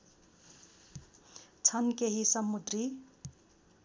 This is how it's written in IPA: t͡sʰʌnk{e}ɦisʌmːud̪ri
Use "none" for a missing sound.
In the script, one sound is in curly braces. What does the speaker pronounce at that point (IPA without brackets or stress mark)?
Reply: e